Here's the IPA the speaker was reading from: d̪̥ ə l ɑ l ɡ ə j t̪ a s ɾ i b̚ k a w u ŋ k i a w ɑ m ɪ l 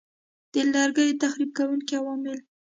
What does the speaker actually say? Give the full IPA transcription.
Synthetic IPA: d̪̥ ə l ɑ ɾ ɡ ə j t̪ a x ɾ i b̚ k a w u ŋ k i a w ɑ m ɪ l

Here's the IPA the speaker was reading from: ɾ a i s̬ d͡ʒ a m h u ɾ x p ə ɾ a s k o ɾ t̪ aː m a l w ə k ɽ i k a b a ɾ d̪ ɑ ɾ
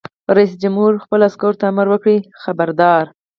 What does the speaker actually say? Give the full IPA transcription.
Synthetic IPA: ɾ a i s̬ d͡ʒ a m h u ɾ x p ə l a s k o ɾ t̪ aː m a ɾ w ə k ɽ i x a b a ɾ d̪ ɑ ɾ

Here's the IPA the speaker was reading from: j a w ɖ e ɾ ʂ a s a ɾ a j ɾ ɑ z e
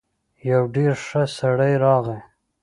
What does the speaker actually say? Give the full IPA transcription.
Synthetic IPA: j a w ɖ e ɾ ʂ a s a ɽ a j ɾ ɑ ɣ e

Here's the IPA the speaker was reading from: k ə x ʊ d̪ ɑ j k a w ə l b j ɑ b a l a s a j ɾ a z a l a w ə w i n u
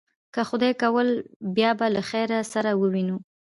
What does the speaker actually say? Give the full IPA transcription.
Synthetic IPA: k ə x ʊ d̪ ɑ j k a w ə l b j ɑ b a l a x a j ɾ a s a ɾ a w ə w i n u

